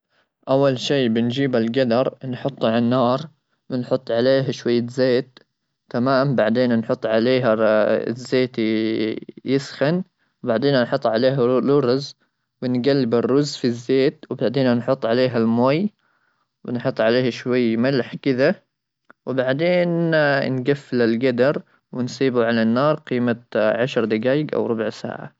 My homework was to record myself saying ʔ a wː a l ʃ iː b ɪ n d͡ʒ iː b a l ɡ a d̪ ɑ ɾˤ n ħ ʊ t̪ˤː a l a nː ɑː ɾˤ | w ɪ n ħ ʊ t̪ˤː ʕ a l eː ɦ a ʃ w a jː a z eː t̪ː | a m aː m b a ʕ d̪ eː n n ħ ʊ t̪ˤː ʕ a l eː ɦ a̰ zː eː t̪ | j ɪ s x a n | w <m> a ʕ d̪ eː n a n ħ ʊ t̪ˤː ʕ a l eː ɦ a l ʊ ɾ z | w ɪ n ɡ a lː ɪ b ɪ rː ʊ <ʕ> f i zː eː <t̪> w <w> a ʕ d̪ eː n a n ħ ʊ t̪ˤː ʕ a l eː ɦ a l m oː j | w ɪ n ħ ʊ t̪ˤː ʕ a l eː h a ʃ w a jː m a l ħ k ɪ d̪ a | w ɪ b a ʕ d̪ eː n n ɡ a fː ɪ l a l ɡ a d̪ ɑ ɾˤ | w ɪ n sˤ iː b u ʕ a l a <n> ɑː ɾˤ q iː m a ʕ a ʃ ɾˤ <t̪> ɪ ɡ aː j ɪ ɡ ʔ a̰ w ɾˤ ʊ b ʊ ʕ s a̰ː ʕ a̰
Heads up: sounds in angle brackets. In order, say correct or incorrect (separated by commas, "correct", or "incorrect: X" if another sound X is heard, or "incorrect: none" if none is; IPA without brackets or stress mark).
incorrect: b, incorrect: z, correct, incorrect: b, incorrect: nː, incorrect: d̪